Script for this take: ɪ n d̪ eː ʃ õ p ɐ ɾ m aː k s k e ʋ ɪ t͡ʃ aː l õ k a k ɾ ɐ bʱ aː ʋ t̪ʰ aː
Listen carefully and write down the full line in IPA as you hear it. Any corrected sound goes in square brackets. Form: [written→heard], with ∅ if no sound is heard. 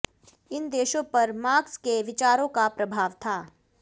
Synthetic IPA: ɪ n d̪ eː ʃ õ p ɐ ɾ m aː k s k e ʋ ɪ t͡ʃ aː [l→ɾ] õ k a [k→p] ɾ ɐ bʱ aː ʋ t̪ʰ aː

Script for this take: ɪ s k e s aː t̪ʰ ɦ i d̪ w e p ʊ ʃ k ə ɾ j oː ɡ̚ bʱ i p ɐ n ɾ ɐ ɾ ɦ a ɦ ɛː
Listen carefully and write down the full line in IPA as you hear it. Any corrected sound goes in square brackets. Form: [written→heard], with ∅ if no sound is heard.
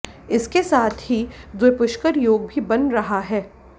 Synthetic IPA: ɪ s k e s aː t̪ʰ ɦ i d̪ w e p ʊ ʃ k ə ɾ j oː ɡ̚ bʱ i [p→b] ɐ n ɾ ɐ [ɾ→∅] ɦ a ɦ ɛː

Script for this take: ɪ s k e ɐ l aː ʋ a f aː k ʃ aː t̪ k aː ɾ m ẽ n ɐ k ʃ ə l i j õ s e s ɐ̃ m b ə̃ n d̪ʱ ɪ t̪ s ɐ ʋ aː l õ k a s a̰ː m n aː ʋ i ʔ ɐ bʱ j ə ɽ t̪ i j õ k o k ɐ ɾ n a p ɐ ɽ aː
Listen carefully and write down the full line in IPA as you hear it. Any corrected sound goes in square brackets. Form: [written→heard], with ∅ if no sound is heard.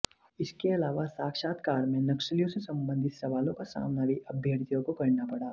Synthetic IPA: ɪ s k e ɐ l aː ʋ a [f→s] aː k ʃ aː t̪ k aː ɾ m ẽ n ɐ k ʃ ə l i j õ s e s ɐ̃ m b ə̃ n d̪ʱ ɪ t̪ s ɐ ʋ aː l õ k a s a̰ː m n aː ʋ i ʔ ɐ bʱ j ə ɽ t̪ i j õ k o k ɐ ɾ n a p ɐ ɽ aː

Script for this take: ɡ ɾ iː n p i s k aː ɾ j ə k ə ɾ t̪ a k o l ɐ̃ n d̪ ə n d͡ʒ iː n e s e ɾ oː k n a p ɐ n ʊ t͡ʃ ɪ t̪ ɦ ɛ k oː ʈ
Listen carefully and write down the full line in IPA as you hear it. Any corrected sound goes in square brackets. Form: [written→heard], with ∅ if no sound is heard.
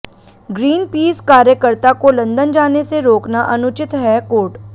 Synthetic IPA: ɡ ɾ iː n p [i→iː] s k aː ɾ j ə k ə ɾ t̪ a k o l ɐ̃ n d̪ ə n d͡ʒ [iː→aː] n e s e ɾ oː k n a [p→ʔ] ɐ n ʊ t͡ʃ ɪ t̪ ɦ ɛ k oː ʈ

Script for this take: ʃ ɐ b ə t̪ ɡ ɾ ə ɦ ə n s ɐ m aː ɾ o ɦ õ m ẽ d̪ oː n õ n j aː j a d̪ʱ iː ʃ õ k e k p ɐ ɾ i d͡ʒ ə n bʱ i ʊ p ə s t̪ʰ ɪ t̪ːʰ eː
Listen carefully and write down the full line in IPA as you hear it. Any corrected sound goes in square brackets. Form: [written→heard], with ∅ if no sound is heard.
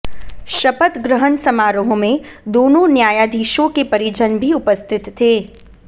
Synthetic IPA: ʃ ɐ [b→p] ə t̪ ɡ ɾ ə ɦ ə n s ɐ m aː ɾ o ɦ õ m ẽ d̪ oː n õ n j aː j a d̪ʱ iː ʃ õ k e [k→∅] p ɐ ɾ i d͡ʒ ə n bʱ i ʊ p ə s t̪ʰ ɪ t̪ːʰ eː

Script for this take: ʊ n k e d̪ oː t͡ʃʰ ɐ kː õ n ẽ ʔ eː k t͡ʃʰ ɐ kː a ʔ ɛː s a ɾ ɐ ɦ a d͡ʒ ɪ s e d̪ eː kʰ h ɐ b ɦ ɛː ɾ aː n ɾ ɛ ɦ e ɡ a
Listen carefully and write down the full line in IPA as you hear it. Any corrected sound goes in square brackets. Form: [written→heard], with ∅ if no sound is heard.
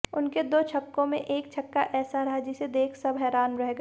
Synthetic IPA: ʊ n k e d̪ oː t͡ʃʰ ɐ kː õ [n→m] ẽ ʔ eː k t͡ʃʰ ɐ kː a ʔ ɛː s a ɾ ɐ ɦ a d͡ʒ ɪ s e d̪ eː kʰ [h→s] ɐ b ɦ ɛː ɾ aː n ɾ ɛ ɦ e ɡ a

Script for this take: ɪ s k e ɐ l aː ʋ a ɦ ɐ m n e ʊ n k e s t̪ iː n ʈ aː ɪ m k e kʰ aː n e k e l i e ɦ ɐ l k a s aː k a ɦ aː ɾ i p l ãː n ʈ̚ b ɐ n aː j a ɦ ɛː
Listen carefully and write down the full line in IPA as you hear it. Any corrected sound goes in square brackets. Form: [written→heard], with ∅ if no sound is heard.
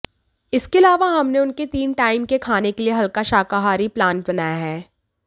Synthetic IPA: ɪ s k e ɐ l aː ʋ a ɦ ɐ m n e ʊ n k e [s→∅] t̪ iː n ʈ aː ɪ m k e kʰ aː n e k e l i e ɦ ɐ l k a [s→ʃ] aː k a ɦ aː ɾ i p l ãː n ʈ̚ b ɐ n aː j a ɦ ɛː

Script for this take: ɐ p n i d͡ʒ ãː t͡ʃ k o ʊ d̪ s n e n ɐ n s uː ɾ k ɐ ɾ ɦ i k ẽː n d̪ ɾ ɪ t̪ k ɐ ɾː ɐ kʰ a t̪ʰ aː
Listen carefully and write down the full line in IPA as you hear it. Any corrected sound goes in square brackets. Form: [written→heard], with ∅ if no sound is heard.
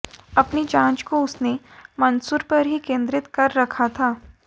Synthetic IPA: ɐ p n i d͡ʒ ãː t͡ʃ k o ʊ [d̪→∅] s n e [n→m] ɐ n s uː ɾ [k→p] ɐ ɾ ɦ i k ẽː n d̪ ɾ ɪ t̪ k ɐ ɾː ɐ kʰ a t̪ʰ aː

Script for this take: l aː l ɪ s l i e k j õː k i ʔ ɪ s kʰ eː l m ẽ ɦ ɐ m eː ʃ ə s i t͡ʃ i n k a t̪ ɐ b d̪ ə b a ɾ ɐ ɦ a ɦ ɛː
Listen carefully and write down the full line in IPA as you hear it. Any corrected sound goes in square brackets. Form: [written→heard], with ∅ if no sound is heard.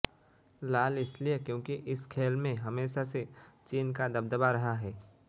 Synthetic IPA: l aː l ɪ s l i e k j õː k i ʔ ɪ s kʰ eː l m ẽ ɦ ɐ m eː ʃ [ə→a] s [i→e] t͡ʃ [i→iː] n k a [t̪→d̪] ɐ b d̪ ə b a ɾ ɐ ɦ a ɦ ɛː

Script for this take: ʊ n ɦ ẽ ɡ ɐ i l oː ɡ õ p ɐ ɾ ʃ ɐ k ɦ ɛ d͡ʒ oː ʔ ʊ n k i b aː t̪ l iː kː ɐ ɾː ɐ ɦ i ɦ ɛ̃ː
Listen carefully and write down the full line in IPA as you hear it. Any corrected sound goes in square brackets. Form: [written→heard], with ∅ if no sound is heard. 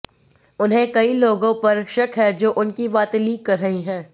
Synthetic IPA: ʊ n ɦ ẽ [ɡ→k] ɐ i l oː ɡ õ p ɐ ɾ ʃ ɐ k ɦ ɛ d͡ʒ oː ʔ ʊ n k i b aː t̪ l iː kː ɐ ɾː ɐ ɦ i ɦ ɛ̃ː

